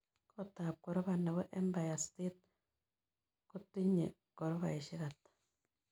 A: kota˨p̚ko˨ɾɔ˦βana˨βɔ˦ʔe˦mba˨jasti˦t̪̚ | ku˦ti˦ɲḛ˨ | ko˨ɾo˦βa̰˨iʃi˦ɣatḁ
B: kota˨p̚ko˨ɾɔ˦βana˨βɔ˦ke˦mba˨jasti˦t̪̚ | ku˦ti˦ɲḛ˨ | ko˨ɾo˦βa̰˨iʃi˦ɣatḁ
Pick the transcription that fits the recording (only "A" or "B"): A